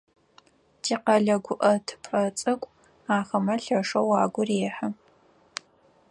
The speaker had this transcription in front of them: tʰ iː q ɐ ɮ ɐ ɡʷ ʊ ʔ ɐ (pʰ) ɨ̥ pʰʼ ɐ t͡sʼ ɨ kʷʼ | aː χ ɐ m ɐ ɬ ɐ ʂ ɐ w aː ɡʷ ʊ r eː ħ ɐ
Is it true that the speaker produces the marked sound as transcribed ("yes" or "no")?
no